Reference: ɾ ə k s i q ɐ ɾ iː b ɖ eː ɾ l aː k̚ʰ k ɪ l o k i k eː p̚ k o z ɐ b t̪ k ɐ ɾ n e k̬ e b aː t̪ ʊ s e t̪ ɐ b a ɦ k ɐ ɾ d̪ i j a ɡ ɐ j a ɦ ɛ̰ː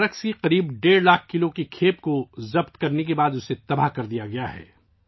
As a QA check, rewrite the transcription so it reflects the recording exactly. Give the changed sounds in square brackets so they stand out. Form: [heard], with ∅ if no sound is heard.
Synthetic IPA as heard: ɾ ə k s i q ɐ ɾ iː b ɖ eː ɾ l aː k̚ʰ k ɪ l o k i [kʰ] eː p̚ k o z ɐ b t̪ k ɐ ɾ n e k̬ e b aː [d̪] ʊ s e t̪ ɐ b a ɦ k ɐ ɾ d̪ i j a ɡ ɐ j a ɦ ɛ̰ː